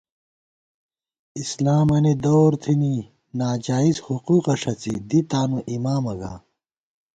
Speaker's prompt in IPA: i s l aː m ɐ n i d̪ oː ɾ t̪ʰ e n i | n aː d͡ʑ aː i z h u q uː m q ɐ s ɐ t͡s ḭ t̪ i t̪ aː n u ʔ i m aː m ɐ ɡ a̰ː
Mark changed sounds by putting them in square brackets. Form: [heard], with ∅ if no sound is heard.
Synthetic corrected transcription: i s l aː m ɐ n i d̪ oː ɾ t̪ʰ [i] n i | n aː d͡ʑ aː i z h u q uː [∅] q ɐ [ʂ] ɐ t͡s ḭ [d̪] i t̪ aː n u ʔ i m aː m ɐ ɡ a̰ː